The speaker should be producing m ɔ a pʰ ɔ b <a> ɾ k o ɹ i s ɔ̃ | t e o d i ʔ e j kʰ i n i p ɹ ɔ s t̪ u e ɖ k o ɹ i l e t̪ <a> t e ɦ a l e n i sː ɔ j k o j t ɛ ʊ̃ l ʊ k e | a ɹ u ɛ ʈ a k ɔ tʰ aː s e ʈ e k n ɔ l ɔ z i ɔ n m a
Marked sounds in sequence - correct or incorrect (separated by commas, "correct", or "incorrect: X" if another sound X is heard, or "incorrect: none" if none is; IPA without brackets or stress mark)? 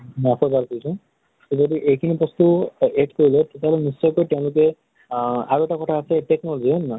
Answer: correct, incorrect: e